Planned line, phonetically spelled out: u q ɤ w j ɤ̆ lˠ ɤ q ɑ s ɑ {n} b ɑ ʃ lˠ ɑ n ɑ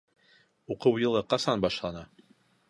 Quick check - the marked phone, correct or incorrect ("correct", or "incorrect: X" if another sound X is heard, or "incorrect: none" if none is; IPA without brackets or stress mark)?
correct